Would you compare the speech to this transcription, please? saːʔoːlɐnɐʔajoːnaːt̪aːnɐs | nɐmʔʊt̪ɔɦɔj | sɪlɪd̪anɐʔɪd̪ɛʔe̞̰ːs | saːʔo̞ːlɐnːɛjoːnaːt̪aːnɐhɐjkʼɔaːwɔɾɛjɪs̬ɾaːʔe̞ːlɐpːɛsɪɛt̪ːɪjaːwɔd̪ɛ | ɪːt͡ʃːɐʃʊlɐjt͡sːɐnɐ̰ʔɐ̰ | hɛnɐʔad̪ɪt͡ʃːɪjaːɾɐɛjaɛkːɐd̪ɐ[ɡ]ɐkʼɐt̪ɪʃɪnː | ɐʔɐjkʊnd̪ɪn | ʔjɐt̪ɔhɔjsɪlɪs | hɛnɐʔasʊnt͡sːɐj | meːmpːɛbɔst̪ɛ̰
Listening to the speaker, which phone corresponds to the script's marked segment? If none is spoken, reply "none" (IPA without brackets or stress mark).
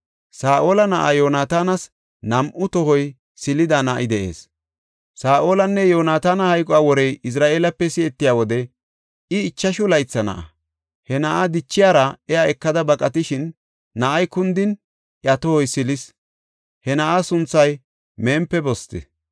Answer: b